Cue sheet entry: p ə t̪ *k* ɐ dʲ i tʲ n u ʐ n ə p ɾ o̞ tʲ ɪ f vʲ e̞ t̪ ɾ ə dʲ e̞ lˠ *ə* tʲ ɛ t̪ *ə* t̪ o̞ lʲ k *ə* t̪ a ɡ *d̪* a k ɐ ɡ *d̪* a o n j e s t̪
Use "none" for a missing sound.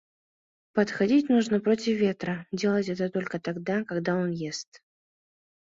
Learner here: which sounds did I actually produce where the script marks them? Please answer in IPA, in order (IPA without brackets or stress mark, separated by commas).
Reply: x, ə, ə, ə, d̪, d̪